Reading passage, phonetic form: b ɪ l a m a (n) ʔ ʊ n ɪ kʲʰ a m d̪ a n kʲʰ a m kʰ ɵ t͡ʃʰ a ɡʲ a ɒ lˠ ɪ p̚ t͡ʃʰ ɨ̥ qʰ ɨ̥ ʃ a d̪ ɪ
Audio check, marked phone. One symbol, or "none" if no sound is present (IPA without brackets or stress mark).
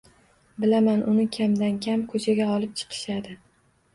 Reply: n